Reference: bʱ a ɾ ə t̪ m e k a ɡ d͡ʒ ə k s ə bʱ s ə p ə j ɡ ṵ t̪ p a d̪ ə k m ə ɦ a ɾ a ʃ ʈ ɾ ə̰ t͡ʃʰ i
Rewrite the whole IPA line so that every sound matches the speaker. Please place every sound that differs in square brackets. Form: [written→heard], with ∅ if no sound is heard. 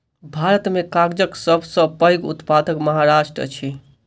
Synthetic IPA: bʱ a ɾ ə t̪ m e k a ɡ d͡ʒ ə k s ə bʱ s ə p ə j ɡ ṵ t̪ p a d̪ ə k m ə ɦ a ɾ a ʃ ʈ ɾ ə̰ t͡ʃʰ i